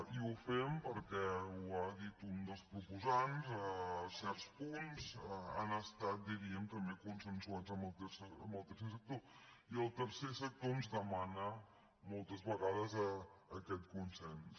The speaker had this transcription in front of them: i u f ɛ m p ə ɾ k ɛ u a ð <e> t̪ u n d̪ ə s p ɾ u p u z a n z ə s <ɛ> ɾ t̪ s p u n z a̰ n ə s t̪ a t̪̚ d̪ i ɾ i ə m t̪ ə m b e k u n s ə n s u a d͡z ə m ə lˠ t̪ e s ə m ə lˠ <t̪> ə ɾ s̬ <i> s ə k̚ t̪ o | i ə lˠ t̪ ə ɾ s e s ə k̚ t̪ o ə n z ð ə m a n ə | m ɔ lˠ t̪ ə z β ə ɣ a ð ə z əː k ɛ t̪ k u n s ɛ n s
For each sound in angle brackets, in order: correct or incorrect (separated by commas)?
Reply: incorrect, correct, correct, incorrect